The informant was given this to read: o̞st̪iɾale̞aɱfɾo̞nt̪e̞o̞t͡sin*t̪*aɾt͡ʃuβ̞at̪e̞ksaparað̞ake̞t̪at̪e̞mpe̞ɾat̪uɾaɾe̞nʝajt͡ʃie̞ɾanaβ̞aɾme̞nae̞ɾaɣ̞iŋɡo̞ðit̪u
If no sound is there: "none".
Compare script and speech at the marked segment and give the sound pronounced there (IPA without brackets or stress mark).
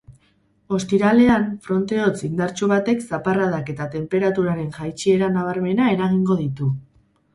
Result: d̪